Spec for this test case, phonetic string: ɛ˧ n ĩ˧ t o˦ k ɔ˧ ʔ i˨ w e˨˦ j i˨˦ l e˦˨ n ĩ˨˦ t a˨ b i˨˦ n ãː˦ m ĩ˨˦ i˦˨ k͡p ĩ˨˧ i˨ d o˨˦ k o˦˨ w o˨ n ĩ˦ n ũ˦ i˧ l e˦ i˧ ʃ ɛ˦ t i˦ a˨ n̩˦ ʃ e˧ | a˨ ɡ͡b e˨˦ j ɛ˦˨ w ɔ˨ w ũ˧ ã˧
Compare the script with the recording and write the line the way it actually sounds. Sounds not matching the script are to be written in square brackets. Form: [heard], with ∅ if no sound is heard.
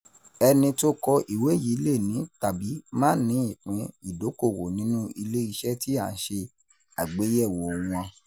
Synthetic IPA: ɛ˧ n ĩ˧ t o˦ k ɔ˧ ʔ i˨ w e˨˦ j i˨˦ l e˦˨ n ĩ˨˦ t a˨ b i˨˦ [m] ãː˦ [n] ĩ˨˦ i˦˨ k͡p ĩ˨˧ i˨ d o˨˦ k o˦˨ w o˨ n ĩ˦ n ũ˦ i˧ l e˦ i˧ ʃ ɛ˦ t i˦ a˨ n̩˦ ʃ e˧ | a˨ ɡ͡b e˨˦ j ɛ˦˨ w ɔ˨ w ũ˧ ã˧